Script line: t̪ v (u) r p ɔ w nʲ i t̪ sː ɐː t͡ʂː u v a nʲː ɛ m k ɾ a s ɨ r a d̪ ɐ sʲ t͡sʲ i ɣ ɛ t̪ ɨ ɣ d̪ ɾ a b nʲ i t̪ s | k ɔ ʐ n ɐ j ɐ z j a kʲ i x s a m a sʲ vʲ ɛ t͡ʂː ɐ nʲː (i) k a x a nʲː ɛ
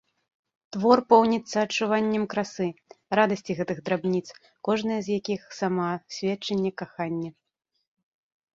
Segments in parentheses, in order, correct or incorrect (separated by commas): incorrect, incorrect